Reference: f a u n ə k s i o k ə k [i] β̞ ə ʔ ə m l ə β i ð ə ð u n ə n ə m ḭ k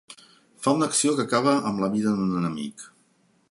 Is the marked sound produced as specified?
no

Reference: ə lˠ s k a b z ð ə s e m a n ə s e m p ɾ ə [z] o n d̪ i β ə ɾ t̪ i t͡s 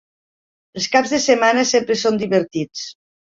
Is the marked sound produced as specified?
no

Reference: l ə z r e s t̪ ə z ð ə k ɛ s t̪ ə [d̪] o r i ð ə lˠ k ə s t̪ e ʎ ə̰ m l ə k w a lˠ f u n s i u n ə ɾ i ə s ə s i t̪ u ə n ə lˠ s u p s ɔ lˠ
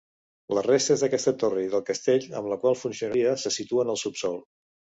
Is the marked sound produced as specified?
no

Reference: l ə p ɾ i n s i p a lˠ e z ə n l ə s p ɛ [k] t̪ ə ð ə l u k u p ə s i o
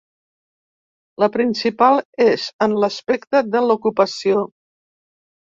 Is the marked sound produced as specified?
yes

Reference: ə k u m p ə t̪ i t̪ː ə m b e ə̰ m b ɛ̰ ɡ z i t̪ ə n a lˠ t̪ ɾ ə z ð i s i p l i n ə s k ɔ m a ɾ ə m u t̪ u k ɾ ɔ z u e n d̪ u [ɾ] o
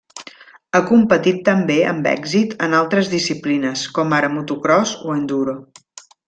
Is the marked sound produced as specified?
yes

